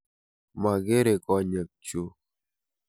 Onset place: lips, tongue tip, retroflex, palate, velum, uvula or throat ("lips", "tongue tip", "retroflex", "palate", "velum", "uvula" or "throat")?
lips